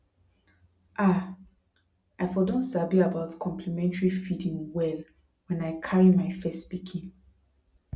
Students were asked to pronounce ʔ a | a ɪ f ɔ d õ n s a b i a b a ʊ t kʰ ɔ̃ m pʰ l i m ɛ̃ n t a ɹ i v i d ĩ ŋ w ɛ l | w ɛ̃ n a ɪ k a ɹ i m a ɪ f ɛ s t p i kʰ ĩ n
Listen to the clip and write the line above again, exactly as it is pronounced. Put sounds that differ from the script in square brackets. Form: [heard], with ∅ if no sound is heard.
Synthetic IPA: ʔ a | a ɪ f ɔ d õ n s a b i a b a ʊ t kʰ ɔ̃ m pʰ l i m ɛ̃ n t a ɹ i [f] i d ĩ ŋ w ɛ l | w ɛ̃ n a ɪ [kʰ] a ɹ i m a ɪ f ɛ s t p i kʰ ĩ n